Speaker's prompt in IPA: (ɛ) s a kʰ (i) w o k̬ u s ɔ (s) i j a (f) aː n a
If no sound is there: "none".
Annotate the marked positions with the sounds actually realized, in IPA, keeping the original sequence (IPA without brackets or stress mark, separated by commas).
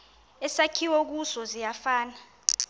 ɛ, i, z, f